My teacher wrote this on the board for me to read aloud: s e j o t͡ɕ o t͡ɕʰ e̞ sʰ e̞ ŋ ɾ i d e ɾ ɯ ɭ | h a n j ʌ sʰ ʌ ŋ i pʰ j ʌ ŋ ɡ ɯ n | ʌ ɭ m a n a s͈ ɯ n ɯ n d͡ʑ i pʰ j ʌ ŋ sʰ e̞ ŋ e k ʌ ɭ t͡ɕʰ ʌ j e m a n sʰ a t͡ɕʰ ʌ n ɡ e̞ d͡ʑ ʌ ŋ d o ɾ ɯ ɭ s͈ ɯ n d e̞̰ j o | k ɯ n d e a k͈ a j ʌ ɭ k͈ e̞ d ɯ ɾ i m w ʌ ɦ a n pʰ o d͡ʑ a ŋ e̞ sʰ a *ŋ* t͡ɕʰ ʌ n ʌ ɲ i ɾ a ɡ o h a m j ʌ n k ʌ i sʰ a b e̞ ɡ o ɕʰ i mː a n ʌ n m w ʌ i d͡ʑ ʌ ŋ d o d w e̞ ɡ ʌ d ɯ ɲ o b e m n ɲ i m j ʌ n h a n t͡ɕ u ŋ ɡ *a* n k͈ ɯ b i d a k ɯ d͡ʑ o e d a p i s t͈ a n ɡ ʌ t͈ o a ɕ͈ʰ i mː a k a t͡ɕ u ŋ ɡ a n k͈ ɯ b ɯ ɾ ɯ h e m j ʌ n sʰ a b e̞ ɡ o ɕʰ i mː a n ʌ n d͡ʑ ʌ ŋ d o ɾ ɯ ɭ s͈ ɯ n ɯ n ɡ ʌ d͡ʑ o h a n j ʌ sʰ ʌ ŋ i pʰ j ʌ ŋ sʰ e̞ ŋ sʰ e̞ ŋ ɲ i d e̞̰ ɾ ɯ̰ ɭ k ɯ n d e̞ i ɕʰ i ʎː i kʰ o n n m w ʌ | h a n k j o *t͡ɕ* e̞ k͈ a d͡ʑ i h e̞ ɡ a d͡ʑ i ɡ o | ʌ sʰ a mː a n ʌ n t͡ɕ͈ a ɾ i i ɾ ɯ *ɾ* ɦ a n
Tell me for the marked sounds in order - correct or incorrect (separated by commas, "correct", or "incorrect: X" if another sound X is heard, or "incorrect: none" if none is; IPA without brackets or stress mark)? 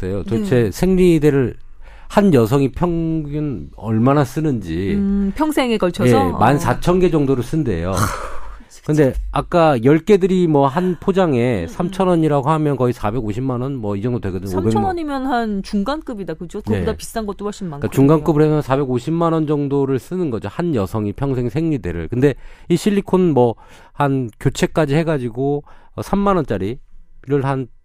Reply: incorrect: m, correct, incorrect: t͡ɕʰ, incorrect: ɭ